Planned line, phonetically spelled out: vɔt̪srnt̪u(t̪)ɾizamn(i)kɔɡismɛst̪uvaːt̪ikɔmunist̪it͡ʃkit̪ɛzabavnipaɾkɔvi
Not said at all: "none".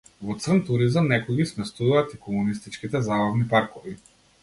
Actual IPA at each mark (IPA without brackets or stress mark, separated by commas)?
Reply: none, ɛ